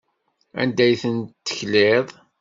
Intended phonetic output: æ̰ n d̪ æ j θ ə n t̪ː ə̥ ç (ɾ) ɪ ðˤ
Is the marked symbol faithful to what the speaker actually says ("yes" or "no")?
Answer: no